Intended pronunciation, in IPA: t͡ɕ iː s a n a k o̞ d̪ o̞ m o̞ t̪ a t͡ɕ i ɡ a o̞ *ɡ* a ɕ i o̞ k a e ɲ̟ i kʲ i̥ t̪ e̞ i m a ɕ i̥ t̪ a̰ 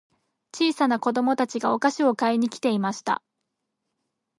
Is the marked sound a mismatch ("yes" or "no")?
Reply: yes